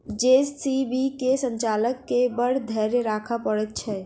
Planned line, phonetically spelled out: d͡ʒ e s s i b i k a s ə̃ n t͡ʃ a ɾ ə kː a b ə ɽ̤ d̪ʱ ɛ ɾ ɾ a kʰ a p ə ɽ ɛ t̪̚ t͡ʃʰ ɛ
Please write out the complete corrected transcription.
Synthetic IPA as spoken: d͡ʒ e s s i b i k e s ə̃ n t͡ʃ a l ə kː e b ə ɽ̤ d̪ʱ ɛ ɾ ɾ a kʰ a p ə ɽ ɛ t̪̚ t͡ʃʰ ɛ